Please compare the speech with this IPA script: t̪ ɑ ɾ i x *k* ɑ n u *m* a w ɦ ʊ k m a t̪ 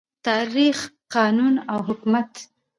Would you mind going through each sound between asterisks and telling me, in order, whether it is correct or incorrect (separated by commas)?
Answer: incorrect, incorrect